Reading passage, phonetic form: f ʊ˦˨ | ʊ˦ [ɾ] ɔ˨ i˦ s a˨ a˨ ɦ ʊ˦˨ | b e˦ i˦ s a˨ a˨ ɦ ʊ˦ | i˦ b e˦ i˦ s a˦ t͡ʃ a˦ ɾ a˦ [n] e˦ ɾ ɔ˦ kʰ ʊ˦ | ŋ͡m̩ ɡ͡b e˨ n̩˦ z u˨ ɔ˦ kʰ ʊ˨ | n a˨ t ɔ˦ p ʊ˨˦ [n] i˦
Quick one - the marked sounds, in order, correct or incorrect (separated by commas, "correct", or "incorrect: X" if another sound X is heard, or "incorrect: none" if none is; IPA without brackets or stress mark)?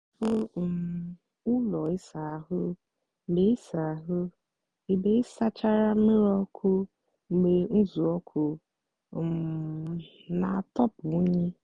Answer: incorrect: l, incorrect: m, incorrect: ɲ